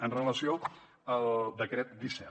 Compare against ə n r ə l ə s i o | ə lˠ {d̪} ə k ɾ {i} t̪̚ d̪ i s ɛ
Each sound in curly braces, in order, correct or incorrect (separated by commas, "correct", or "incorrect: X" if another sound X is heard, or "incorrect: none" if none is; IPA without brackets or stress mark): correct, incorrect: ɛ